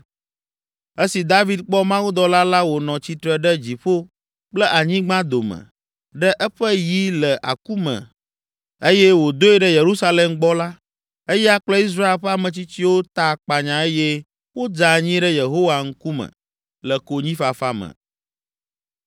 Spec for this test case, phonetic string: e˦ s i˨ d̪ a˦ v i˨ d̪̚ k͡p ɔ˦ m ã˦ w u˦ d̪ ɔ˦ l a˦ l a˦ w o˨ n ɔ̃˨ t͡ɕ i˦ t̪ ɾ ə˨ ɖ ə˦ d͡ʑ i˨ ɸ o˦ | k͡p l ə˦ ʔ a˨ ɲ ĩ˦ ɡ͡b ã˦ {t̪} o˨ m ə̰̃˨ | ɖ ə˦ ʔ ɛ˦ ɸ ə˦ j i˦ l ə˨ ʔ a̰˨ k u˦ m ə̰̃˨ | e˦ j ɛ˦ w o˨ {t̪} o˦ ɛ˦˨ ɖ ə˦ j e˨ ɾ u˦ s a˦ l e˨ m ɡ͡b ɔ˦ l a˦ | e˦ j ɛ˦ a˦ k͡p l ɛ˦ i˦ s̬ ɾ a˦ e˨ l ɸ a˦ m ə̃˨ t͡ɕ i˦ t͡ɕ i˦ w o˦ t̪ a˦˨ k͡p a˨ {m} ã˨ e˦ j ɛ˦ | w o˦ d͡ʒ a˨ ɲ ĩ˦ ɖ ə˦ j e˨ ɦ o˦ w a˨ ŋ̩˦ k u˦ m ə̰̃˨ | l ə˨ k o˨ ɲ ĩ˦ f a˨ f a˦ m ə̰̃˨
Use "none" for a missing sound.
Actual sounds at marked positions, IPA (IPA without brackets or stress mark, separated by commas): d̪, d̪, ɲ